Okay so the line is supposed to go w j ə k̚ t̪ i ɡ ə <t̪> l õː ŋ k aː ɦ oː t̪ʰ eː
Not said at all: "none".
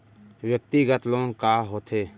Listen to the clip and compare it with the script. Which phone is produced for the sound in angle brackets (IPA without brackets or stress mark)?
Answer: t̪